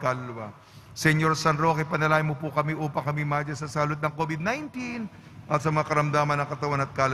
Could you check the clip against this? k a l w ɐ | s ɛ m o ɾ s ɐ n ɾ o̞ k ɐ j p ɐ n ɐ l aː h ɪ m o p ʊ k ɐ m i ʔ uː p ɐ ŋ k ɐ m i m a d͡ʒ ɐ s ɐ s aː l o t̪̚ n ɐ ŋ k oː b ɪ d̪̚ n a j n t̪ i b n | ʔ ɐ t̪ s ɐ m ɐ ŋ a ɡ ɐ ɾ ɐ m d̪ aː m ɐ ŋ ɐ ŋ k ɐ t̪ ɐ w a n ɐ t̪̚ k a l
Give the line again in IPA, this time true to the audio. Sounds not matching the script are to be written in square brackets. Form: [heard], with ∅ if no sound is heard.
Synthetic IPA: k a l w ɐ | s ɛ [ɲ] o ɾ s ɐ n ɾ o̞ k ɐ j p ɐ n ɐ l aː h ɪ m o p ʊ k ɐ m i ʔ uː p ɐ ŋ k ɐ m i m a d͡ʒ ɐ s ɐ s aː l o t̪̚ n ɐ ŋ k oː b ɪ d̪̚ n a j n t̪ i [∅] n | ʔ ɐ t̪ s ɐ m ɐ ŋ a [k] ɐ ɾ ɐ m d̪ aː m ɐ [n] ɐ ŋ k ɐ t̪ ɐ w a n ɐ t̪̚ k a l